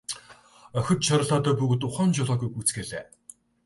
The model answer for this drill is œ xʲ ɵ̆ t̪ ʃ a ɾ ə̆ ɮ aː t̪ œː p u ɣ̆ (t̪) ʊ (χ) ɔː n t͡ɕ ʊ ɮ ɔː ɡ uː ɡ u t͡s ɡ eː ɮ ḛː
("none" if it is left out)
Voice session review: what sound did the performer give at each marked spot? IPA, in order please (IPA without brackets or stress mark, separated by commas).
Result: t̪, χ